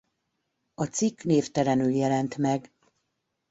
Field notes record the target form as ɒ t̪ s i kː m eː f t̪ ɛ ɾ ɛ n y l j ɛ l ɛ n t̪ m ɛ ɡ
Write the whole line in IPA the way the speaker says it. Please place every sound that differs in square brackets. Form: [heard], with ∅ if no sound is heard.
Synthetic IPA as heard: ɒ t̪ s i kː [n] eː f t̪ ɛ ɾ ɛ n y l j ɛ l ɛ n t̪ m ɛ ɡ